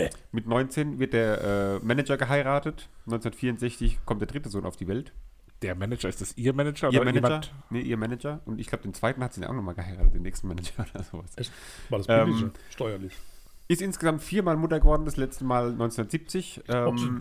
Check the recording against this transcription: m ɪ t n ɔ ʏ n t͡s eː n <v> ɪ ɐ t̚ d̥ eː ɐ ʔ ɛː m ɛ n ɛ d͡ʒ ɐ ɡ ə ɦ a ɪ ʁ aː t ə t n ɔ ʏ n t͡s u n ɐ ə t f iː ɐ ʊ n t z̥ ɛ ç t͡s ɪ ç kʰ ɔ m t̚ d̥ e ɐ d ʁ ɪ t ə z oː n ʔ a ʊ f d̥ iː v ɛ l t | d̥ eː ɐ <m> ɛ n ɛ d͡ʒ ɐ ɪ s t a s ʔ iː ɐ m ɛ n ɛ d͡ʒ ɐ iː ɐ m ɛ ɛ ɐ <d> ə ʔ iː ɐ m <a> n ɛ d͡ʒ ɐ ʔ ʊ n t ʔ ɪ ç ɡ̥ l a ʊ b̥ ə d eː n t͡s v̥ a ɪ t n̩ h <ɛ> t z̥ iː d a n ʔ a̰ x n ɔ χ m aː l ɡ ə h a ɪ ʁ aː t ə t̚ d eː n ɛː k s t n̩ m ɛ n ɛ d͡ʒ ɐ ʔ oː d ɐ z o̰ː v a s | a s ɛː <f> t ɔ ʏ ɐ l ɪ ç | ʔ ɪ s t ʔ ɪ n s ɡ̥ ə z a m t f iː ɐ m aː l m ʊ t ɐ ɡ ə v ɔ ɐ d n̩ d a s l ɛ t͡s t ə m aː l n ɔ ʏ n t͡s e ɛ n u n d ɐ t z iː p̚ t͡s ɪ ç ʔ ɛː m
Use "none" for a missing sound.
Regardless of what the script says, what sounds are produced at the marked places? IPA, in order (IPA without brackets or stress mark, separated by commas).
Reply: v, m, n, ɛ, a, ʃ